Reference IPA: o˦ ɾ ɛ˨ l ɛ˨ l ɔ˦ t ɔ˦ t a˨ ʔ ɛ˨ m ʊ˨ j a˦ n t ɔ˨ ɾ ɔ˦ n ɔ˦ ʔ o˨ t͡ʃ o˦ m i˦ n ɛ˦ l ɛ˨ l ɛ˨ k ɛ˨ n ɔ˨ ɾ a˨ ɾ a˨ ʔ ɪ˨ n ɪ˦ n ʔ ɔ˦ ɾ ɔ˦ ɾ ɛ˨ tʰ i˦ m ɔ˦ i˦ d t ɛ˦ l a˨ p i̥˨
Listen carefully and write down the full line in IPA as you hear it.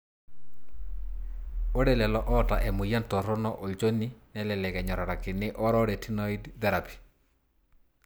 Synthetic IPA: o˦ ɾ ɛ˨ l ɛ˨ l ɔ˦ ʔ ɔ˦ t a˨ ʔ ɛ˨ m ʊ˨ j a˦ n t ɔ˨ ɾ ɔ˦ n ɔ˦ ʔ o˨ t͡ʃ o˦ n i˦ n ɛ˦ l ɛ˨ l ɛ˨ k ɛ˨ ɲ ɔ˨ ɾ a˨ ɾ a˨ k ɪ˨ n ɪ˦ ʔ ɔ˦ ɾ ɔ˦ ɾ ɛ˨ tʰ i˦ n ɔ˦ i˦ d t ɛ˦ ɾ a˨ p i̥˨